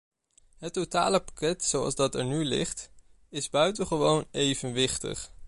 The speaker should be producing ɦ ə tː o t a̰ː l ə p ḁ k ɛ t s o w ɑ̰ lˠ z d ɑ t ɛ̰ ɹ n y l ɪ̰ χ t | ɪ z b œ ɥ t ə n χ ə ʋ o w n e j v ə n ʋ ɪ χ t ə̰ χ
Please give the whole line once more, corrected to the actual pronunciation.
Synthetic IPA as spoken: ɦ ə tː o t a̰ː l ə p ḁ k ɛ t s o w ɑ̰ lˠ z d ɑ t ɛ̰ ɹ n y l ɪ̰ χ t | ɪ z b œ ɥ t ə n χ ə ʋ o w n e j v ə n ʋ ɪ χ t ə̰ χ